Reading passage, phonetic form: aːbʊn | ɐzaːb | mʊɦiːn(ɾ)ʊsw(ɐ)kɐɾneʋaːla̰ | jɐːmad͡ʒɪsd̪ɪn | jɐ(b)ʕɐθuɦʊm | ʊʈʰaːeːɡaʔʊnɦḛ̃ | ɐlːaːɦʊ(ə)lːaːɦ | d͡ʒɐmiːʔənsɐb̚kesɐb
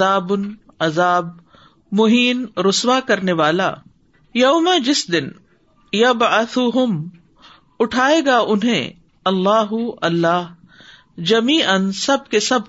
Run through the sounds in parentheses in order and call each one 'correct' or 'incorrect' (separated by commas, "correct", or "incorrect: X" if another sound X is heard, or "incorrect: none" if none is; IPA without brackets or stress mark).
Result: correct, incorrect: a, correct, incorrect: ɐ